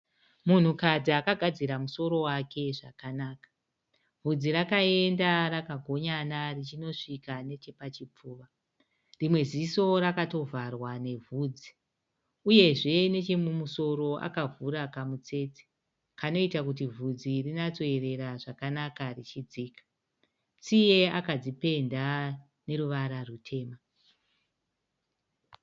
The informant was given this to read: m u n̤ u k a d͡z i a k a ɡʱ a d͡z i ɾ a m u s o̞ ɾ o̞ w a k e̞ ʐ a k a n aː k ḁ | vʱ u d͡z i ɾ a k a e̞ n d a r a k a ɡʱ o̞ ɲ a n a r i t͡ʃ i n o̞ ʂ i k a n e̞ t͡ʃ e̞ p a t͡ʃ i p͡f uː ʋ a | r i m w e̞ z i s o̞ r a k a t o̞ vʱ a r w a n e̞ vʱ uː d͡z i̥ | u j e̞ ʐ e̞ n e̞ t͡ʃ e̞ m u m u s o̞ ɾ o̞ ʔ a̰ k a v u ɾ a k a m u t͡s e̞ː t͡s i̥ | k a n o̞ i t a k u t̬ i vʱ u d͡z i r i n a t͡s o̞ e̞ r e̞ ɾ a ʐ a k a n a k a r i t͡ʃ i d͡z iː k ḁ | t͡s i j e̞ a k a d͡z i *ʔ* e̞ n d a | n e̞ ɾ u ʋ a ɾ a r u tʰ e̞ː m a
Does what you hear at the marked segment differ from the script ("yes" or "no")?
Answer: yes